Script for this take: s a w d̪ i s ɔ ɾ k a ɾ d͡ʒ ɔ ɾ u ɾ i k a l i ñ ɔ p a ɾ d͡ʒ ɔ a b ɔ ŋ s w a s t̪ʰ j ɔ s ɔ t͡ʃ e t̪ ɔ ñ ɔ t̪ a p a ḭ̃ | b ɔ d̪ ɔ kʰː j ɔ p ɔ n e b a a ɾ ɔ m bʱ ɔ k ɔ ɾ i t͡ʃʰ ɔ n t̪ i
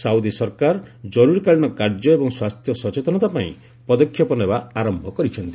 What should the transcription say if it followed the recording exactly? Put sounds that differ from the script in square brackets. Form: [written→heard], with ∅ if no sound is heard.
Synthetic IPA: s a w d̪ i s ɔ ɾ k a ɾ d͡ʒ ɔ ɾ u ɾ i k a [l→ɭ] i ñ ɔ [p→k] a ɾ d͡ʒ ɔ [a→e] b ɔ ŋ s w a s t̪ʰ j ɔ s ɔ t͡ʃ e t̪ ɔ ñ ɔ t̪ a p a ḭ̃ | [b→p] ɔ d̪ ɔ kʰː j ɔ p ɔ n e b a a ɾ ɔ m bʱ ɔ k ɔ ɾ i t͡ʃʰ ɔ n t̪ i